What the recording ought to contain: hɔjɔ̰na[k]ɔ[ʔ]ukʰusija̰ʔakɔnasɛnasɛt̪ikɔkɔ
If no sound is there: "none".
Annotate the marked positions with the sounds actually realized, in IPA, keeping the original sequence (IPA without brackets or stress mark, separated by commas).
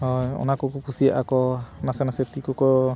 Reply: k, k